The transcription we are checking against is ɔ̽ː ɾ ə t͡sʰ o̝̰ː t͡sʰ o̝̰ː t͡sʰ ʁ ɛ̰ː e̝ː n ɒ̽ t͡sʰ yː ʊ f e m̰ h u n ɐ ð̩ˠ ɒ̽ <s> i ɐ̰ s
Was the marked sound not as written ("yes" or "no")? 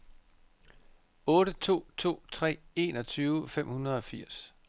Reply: yes